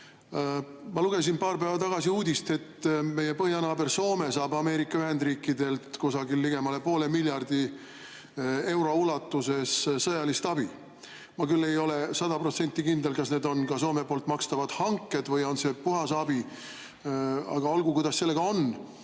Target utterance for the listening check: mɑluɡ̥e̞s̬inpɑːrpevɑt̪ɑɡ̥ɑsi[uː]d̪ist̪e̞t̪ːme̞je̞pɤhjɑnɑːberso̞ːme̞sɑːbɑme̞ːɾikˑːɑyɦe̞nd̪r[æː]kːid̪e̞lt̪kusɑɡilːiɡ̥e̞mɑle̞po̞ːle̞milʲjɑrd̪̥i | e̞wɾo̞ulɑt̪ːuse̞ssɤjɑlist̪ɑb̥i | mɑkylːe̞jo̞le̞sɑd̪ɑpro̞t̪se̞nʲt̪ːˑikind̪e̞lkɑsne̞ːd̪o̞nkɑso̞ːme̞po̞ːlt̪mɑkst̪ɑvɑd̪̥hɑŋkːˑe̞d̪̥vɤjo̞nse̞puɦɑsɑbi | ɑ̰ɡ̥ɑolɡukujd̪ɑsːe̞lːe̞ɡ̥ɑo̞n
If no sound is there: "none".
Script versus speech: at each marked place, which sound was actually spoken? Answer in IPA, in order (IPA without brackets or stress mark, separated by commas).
uː, iː